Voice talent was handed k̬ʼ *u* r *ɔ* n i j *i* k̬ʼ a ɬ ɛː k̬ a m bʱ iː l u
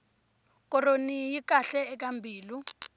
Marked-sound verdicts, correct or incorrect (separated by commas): incorrect, incorrect, correct